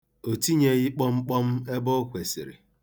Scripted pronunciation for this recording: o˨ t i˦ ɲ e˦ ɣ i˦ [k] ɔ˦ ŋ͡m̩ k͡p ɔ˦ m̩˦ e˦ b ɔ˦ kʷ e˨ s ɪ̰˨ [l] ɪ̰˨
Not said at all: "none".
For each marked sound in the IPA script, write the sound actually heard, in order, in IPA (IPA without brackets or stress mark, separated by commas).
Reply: k͡p, ɾ